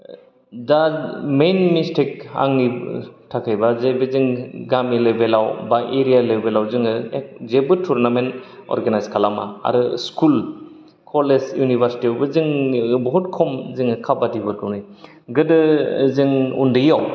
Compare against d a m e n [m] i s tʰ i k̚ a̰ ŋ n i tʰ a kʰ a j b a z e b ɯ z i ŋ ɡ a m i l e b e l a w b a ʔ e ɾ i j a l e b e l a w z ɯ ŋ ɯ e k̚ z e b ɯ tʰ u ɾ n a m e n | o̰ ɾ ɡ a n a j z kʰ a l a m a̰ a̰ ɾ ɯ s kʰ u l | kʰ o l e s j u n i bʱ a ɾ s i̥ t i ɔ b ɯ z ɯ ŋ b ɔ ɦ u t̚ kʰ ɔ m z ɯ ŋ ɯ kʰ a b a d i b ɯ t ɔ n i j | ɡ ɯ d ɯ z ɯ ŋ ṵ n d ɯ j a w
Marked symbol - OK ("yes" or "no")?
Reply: yes